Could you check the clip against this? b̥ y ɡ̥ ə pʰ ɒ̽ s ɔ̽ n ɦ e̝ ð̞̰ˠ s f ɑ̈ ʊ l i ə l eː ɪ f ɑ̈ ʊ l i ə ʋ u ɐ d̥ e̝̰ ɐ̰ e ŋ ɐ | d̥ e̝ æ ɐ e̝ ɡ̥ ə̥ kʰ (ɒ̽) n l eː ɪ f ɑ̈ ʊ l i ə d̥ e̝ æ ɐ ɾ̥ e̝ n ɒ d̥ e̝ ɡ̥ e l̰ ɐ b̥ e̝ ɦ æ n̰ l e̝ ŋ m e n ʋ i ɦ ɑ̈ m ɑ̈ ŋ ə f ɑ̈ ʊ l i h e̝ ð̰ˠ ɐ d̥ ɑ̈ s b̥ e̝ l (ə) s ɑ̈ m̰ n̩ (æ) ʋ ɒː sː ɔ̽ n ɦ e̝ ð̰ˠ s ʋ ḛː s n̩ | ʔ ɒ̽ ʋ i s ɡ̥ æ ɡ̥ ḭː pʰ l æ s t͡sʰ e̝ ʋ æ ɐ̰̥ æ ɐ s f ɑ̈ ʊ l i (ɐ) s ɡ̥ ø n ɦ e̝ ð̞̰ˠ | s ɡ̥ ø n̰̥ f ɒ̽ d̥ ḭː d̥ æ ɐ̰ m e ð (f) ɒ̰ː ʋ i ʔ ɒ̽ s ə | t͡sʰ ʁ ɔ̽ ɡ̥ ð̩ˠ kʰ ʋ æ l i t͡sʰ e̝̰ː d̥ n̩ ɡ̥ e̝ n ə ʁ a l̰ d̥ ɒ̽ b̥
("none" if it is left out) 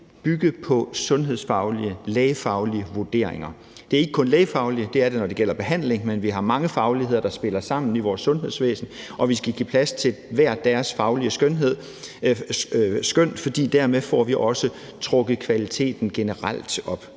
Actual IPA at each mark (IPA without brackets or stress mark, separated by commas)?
ɔ̽, ɐ, i, ə, f